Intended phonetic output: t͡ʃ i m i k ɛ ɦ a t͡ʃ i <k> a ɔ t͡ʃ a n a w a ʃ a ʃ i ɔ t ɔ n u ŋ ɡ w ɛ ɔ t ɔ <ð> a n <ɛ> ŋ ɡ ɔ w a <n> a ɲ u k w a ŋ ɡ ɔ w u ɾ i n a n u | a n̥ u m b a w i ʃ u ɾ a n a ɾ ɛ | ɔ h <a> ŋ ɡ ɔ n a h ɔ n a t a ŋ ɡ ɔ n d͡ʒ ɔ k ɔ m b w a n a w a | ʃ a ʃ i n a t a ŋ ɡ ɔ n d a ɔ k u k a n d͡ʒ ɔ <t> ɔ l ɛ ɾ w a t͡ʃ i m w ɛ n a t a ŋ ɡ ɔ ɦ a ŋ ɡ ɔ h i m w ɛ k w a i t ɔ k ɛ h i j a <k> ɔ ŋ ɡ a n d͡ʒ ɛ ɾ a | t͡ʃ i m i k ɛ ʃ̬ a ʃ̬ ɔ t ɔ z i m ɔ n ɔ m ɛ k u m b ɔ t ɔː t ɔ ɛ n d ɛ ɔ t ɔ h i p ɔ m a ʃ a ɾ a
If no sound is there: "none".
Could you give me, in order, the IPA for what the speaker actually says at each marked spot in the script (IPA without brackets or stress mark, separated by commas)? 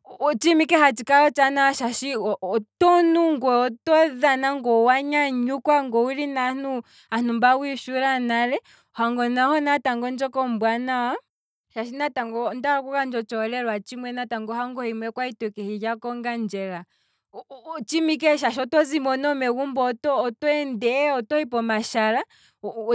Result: k, ð, a, ɲ, a, t͡ʃ, k